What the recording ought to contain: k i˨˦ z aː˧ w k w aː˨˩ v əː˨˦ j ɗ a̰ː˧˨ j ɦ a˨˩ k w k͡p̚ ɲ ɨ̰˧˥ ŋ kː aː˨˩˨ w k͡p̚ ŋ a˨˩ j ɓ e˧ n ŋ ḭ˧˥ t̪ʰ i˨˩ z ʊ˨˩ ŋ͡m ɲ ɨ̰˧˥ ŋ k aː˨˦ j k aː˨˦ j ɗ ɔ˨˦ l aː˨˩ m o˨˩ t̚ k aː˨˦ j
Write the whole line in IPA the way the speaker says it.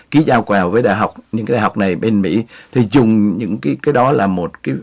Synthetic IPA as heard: k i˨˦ z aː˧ w k w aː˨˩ v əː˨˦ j ɗ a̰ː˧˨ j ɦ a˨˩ w k͡p̚ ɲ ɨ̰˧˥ ŋ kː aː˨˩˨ w k͡p̚ n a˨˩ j ɓ e˧ n m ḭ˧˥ t̪ʰ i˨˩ z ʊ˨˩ ŋ͡m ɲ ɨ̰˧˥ ŋ k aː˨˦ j k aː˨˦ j ɗ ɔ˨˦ l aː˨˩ m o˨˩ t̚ k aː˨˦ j